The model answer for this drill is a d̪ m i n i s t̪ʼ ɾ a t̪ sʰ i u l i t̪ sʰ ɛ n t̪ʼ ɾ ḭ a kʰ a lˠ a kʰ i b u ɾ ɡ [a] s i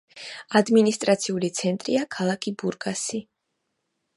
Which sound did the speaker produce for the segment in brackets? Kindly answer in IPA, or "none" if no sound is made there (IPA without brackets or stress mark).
a